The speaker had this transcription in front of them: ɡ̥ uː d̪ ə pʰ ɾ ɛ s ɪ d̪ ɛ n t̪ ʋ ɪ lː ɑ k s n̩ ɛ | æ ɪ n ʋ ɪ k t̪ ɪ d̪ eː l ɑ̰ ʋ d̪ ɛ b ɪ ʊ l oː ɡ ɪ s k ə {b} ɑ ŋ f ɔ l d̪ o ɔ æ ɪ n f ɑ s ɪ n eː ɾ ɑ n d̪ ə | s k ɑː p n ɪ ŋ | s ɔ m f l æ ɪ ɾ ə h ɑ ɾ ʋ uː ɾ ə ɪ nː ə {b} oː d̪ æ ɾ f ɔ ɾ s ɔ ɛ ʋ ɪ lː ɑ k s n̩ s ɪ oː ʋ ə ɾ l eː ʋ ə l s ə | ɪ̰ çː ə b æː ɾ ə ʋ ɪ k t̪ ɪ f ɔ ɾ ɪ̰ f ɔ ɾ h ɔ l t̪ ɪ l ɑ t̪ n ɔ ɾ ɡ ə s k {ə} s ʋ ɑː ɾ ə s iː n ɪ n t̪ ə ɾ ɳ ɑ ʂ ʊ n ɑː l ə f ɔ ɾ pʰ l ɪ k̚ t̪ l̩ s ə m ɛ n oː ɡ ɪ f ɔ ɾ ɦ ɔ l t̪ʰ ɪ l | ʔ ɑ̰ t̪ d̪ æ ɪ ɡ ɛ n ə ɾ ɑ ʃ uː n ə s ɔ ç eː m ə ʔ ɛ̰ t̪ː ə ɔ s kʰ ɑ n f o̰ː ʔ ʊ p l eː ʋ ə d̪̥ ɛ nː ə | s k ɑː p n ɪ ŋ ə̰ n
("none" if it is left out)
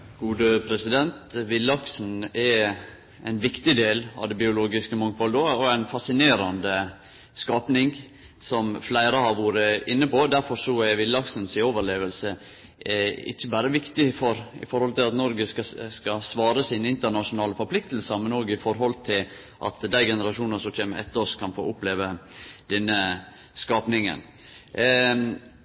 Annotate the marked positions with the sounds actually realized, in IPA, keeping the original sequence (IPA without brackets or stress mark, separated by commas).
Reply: m, p, ɑ